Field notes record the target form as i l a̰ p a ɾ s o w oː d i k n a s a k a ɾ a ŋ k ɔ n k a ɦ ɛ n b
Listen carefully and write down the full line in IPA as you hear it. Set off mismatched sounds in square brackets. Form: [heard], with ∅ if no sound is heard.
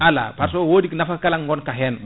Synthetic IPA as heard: [a] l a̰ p a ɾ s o w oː d i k n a [f] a k a [l] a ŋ [ɡ] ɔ n k a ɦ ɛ n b